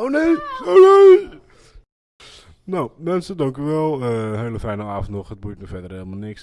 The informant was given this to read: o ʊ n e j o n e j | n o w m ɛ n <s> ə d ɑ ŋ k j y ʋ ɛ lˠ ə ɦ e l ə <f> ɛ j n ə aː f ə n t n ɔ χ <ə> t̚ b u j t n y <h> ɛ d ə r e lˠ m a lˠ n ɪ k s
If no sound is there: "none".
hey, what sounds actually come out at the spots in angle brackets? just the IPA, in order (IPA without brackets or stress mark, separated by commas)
s, f, ə, f